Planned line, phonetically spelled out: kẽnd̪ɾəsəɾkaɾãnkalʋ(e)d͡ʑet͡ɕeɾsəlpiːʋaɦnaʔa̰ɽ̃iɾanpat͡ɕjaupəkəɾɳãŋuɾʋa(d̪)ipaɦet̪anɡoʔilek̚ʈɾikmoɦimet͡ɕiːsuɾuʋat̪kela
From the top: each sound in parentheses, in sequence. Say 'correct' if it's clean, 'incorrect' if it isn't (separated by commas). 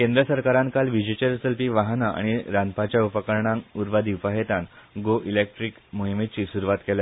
incorrect, correct